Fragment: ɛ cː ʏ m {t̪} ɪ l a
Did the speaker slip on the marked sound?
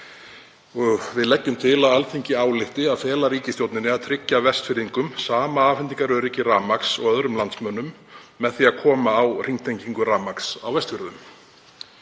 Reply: yes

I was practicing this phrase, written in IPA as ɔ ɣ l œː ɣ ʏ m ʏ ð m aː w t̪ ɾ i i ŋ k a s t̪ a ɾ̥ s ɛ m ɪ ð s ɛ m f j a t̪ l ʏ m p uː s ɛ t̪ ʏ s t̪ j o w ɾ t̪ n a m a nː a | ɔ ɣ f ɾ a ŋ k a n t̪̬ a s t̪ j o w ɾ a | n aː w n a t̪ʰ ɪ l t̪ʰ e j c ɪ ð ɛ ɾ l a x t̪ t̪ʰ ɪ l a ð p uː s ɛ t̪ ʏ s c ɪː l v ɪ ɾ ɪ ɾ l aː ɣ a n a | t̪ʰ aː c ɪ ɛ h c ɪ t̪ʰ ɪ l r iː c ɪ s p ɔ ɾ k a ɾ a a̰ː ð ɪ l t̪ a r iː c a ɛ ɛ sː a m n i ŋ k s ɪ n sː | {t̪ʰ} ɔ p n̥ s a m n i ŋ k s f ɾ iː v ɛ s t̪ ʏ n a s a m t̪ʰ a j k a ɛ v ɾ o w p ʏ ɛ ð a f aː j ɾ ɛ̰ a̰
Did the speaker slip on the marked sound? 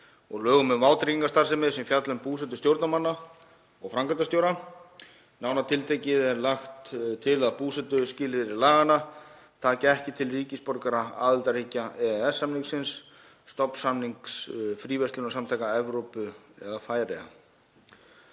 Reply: yes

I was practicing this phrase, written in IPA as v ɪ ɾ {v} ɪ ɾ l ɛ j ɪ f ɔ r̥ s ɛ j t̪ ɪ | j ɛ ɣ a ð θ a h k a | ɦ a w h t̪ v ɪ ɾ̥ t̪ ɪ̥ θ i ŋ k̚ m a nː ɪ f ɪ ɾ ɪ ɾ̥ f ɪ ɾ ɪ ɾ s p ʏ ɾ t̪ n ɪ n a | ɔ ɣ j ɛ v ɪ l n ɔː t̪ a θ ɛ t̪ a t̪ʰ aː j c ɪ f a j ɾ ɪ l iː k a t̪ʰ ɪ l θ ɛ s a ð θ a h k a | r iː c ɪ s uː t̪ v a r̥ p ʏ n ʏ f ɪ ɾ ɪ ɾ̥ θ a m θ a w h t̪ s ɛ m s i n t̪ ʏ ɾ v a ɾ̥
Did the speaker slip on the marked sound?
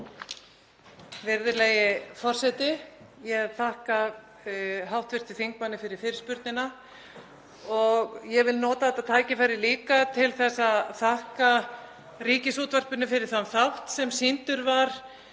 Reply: yes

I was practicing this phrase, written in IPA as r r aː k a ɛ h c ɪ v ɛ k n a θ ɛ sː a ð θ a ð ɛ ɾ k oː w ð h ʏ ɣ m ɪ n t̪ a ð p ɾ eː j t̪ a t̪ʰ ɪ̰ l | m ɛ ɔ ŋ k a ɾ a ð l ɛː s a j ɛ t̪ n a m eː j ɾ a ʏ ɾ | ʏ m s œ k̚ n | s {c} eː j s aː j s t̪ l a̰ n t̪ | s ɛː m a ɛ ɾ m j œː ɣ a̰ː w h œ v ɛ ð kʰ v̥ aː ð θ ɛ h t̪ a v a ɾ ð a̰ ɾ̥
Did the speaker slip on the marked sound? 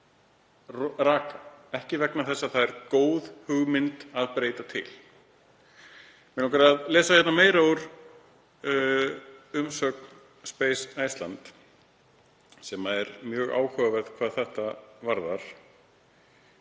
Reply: yes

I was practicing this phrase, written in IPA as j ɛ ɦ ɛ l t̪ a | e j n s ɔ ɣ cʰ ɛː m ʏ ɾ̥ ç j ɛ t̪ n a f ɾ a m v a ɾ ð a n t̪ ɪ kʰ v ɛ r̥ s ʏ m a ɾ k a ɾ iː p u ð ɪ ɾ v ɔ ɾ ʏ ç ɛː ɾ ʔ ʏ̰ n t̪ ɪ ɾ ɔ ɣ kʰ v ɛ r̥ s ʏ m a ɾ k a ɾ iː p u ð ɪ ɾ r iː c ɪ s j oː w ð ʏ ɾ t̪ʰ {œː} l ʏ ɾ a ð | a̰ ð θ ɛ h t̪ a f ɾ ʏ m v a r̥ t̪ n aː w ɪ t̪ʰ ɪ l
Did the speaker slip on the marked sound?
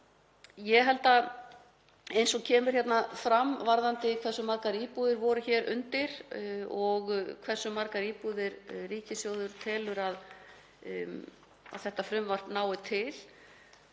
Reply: yes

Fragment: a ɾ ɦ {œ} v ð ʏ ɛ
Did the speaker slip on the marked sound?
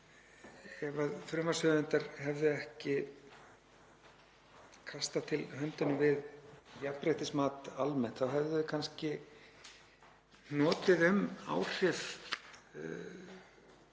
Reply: yes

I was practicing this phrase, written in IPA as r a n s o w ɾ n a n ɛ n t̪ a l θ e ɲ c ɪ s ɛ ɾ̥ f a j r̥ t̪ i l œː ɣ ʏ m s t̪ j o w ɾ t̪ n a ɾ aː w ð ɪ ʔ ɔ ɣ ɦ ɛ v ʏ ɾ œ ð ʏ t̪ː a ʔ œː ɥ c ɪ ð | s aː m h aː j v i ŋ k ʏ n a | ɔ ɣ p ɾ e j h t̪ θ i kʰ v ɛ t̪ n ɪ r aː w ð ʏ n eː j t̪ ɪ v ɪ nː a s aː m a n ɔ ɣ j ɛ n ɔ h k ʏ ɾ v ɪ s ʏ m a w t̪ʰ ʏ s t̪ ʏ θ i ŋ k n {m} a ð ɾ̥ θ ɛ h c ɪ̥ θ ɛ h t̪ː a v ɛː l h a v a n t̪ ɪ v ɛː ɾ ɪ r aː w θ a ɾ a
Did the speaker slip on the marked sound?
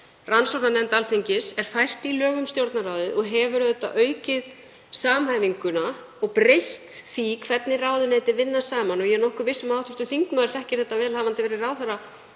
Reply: no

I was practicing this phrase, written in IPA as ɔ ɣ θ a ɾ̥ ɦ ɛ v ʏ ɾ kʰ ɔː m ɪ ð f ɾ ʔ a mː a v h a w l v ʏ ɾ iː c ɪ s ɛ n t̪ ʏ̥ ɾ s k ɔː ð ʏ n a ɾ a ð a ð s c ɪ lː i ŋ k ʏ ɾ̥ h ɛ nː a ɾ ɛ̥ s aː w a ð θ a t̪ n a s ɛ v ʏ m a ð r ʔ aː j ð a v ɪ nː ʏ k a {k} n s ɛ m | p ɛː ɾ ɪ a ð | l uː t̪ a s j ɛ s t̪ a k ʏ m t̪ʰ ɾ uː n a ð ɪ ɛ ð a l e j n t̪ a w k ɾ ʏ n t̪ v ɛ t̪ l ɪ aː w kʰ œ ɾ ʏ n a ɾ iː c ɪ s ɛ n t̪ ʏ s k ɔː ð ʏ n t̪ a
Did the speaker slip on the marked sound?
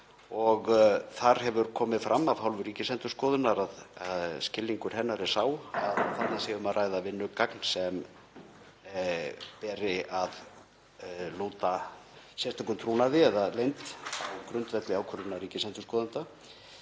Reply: no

